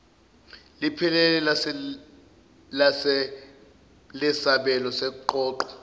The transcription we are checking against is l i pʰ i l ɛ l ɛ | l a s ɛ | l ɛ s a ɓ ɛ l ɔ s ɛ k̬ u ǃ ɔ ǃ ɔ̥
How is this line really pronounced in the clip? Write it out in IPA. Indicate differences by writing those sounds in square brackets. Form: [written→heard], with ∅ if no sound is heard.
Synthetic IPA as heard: l i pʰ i l ɛ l ɛ | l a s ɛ | l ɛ s a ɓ ɛ l ɔ s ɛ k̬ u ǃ [ɔ→ɔː] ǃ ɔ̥